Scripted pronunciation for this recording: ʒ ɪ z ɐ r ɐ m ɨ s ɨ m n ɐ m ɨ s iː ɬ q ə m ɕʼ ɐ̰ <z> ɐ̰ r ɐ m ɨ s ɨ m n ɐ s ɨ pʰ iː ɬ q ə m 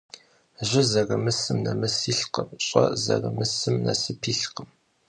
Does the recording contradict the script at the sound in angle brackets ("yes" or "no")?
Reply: no